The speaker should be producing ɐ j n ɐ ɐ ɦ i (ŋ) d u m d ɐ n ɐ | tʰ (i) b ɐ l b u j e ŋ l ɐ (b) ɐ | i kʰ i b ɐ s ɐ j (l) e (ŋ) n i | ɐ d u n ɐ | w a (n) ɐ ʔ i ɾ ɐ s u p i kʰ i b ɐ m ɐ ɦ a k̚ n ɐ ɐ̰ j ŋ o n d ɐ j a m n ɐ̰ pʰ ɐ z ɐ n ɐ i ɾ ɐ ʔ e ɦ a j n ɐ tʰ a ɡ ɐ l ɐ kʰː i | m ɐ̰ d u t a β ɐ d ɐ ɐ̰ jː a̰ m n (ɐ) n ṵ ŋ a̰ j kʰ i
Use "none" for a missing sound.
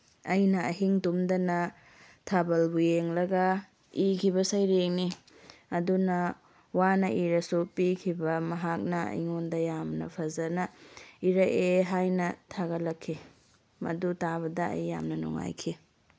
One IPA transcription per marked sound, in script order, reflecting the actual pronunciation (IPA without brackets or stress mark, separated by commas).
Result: ŋ, a, ɡ, ɾ, ŋ, n, ɐ